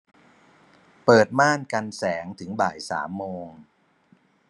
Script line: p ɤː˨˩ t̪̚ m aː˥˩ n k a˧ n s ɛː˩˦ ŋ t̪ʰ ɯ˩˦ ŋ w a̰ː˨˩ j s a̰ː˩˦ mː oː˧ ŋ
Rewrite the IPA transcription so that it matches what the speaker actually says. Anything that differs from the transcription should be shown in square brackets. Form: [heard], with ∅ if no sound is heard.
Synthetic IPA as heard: p ɤː˨˩ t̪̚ m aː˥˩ n k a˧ n s ɛː˩˦ ŋ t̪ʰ ɯ˩˦ ŋ [b] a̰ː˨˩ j s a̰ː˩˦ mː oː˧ ŋ